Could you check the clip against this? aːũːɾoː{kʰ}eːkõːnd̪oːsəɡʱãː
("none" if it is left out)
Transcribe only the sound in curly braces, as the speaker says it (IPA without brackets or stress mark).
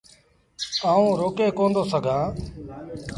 k